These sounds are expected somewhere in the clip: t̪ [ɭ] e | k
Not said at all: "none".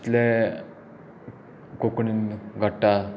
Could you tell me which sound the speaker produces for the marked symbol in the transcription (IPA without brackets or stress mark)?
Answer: l